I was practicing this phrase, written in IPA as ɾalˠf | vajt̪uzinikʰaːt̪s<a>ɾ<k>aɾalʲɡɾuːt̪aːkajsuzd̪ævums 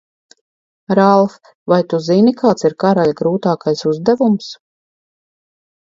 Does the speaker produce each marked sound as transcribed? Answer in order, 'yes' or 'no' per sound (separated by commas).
no, yes